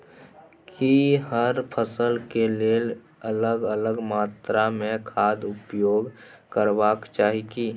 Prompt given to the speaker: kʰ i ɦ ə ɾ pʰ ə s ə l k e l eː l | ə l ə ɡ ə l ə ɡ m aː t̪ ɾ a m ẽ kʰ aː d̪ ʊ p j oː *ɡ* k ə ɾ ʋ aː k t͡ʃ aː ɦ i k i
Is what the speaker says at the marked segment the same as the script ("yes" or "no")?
yes